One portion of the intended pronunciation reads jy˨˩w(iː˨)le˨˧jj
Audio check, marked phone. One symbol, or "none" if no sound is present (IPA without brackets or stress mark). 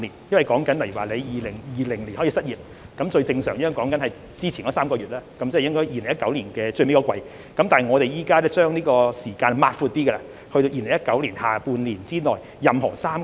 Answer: aː˨